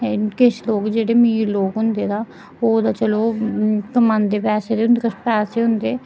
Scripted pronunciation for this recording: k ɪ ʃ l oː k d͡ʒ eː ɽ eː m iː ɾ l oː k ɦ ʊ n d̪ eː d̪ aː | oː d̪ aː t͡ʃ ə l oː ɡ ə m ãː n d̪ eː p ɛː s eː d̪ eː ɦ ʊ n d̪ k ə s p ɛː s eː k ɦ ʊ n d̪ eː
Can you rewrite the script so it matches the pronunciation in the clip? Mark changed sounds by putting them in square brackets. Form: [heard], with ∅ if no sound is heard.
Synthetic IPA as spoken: k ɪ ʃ l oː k d͡ʒ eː ɽ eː m iː ɾ l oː k ɦ ʊ n d̪ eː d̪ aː | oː d̪ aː t͡ʃ ə l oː [k] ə m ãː n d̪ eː p ɛː s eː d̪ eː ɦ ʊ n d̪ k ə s p ɛː s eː [∅] ɦ ʊ n d̪ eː